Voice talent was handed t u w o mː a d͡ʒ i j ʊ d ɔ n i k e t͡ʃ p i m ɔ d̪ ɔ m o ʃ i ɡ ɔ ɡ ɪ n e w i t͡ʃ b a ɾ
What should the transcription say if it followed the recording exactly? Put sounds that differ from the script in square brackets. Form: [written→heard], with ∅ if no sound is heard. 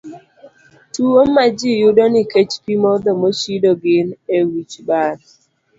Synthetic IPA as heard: t u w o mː a d͡ʒ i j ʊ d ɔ n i k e t͡ʃ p i m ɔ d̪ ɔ m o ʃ i [ɡ→d] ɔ ɡ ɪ n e w i t͡ʃ b a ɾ